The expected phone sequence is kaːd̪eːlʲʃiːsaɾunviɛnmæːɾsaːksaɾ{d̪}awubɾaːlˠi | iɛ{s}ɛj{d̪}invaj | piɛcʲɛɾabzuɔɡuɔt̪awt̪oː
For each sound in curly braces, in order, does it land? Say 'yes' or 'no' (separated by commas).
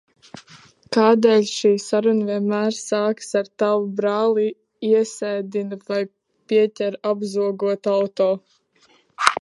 no, yes, yes